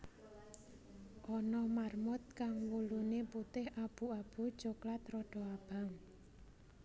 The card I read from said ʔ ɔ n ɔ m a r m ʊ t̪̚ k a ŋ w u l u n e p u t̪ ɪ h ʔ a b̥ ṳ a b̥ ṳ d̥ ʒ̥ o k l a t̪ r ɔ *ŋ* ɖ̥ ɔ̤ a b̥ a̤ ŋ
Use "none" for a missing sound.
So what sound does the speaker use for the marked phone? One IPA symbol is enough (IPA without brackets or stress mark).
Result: none